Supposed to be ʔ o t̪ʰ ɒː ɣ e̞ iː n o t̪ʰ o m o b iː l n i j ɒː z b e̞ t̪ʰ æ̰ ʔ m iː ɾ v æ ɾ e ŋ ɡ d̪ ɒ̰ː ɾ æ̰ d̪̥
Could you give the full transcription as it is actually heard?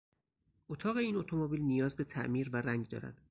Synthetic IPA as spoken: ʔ o t̪ʰ ɒː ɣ e̞ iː n o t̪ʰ o m o b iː l n i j ɒː z b e̞ t̪ʰ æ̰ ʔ m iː ɾ v æ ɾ æ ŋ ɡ d̪ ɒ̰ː ɾ æ̰ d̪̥